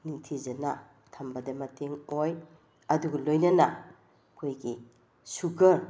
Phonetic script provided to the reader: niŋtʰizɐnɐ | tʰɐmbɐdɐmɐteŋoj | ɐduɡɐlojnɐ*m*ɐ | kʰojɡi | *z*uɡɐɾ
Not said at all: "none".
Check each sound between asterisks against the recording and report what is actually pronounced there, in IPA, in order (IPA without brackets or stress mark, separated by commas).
n, s